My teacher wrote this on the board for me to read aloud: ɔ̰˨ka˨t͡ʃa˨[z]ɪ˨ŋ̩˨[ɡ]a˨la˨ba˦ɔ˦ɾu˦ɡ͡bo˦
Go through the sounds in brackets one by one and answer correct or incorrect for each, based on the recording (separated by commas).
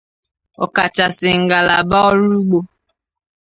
incorrect, correct